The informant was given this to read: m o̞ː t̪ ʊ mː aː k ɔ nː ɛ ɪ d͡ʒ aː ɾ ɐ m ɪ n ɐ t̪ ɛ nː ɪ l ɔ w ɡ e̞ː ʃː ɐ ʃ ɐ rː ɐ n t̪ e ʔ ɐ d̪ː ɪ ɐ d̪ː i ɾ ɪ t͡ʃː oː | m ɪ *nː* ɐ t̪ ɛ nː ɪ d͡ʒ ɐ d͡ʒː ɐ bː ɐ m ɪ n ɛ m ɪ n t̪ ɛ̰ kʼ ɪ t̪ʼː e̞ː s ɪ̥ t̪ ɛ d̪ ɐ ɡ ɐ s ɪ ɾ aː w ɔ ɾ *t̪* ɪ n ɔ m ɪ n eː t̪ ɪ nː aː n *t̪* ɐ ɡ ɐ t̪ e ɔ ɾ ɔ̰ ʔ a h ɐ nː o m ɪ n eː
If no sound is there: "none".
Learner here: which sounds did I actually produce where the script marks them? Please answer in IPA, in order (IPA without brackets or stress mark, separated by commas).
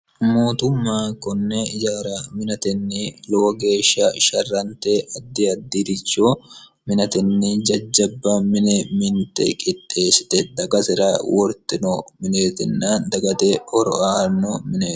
n, t̪, d̪